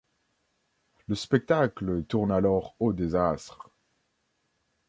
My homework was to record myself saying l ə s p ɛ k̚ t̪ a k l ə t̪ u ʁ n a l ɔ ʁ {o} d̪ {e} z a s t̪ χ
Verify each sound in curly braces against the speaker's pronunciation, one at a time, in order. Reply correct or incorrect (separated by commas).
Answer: correct, correct